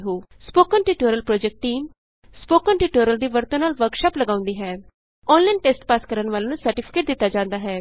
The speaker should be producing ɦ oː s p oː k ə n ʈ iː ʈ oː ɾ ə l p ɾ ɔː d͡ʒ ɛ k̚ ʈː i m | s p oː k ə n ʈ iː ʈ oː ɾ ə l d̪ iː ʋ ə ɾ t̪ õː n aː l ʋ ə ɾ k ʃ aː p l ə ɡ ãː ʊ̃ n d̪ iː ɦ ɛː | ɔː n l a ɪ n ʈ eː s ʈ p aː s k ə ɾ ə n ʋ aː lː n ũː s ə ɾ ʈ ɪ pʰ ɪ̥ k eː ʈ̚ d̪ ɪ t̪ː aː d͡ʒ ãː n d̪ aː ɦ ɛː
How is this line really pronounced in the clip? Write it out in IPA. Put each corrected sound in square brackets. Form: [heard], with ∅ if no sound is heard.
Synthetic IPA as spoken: ɦ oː s p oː k ə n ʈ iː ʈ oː ɾ ə l p ɾ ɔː d͡ʒ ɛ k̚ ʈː [iː] m | s p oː k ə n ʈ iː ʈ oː ɾ ə l d̪ iː ʋ ə ɾ t̪ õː n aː l ʋ ə ɾ k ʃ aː p l ə ɡ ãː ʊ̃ n d̪ iː ɦ ɛː | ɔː n l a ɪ n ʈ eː s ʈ p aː s k ə ɾ ə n ʋ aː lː n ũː s ə ɾ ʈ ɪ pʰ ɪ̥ k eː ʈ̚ d̪ ɪ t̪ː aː d͡ʒ ãː n d̪ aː ɦ ɛː